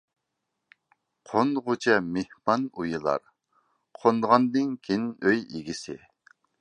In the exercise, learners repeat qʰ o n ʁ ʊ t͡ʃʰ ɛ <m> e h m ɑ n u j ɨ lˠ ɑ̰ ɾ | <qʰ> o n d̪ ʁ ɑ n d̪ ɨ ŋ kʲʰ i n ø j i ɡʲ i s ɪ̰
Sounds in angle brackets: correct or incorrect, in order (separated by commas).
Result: correct, correct